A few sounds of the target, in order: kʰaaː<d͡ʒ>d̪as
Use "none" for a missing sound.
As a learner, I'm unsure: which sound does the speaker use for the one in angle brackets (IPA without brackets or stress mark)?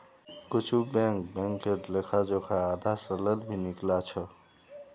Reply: none